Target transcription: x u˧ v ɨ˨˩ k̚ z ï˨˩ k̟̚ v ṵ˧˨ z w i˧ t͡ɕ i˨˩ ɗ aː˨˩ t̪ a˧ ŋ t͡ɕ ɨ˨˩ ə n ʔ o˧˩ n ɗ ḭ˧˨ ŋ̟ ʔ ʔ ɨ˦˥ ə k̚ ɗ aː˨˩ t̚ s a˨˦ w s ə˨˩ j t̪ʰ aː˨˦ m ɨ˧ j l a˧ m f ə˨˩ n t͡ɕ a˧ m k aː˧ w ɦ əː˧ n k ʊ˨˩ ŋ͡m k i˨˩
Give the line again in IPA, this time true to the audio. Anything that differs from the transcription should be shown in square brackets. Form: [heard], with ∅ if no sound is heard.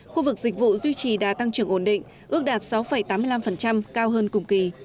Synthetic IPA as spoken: x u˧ v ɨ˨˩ k̚ z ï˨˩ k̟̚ v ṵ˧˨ z w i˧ t͡ɕ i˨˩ ɗ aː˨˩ t̪ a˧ ŋ t͡ɕ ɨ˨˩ ə [ŋ] ʔ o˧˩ n ɗ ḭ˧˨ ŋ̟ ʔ ʔ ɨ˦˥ ə k̚ ɗ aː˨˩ t̚ s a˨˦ w [f] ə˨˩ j [t̪] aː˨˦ m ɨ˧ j l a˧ m f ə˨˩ n t͡ɕ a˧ m k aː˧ w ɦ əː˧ n k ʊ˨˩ ŋ͡m k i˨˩